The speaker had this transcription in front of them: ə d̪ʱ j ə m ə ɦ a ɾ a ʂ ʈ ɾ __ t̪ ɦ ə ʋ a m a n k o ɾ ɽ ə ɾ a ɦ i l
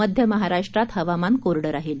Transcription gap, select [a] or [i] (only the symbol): a